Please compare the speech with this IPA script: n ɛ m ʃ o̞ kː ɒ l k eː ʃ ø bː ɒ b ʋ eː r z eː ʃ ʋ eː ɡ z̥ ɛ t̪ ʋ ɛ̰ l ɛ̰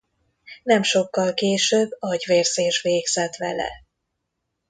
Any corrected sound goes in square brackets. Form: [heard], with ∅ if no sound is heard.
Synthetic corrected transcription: n ɛ m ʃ o̞ kː ɒ l k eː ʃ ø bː ɒ [ɟ] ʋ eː r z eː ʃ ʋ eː ɡ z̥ ɛ t̪ ʋ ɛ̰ l ɛ̰